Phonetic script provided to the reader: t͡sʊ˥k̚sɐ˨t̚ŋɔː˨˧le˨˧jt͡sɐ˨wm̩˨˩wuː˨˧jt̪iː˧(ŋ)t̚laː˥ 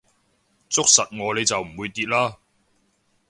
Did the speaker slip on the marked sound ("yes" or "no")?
yes